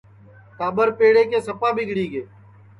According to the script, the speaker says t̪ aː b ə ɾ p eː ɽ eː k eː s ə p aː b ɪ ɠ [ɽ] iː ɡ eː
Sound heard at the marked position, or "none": ɽ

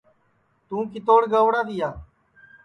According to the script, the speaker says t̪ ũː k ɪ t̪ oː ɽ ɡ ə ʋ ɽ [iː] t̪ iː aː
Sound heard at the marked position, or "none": aː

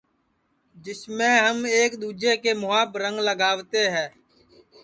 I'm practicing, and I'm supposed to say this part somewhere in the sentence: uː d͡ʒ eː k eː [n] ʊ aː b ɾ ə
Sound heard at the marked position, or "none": m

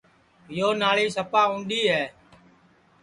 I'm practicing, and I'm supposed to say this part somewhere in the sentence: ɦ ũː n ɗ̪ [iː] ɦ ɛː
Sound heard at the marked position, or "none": iː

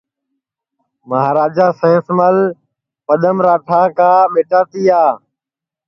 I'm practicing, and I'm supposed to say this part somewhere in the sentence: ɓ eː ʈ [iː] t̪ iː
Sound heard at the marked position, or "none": aː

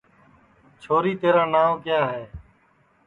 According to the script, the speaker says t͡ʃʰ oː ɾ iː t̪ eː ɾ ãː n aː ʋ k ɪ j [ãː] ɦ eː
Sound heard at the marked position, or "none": aː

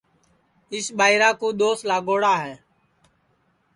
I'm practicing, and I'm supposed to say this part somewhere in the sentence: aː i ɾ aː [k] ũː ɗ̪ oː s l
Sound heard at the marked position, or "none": k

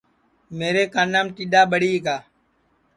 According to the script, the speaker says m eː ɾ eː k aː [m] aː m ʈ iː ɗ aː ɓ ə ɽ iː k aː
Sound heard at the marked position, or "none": n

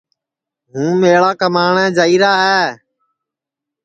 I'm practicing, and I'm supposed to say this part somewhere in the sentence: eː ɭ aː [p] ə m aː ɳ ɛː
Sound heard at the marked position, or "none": k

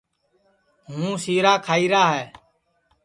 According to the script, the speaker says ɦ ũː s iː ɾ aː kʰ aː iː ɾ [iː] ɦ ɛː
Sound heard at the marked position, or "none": aː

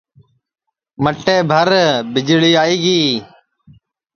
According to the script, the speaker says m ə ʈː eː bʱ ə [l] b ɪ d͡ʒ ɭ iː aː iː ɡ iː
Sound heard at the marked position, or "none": ɾ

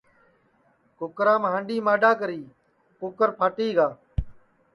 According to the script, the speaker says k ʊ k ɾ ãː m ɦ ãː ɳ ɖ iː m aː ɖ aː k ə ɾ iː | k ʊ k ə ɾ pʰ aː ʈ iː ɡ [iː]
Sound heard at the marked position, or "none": aː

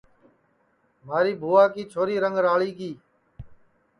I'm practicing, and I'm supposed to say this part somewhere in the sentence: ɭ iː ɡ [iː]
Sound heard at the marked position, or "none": iː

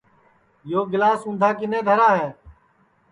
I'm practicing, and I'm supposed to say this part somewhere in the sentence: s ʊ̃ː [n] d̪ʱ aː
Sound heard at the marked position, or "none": n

